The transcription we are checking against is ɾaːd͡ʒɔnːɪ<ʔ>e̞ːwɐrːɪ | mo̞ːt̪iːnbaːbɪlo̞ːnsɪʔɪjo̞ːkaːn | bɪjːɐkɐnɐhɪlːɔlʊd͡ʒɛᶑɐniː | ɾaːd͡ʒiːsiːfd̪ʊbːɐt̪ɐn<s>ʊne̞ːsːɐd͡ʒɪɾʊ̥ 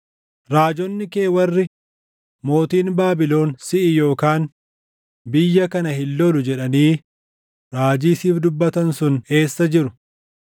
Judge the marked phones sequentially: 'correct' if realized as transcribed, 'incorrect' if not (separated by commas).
incorrect, correct